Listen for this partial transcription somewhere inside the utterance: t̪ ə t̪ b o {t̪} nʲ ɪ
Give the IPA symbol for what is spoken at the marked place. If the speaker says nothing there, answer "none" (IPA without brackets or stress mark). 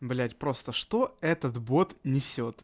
t̪